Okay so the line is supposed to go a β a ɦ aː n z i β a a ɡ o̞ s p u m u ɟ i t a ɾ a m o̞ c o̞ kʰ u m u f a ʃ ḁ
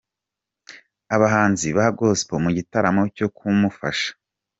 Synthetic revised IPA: a β a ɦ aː n z i β a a ɡ o̞ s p o m u ɟ i t a ɾ a m o̞ c o̞ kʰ u m u f a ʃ ḁ